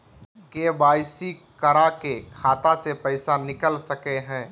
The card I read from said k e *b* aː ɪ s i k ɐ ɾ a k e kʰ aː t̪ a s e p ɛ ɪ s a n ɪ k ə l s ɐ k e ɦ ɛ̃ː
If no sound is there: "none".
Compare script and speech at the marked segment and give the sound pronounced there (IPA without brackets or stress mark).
b